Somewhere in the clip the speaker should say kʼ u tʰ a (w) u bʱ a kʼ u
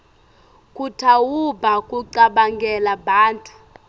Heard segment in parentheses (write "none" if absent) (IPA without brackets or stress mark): w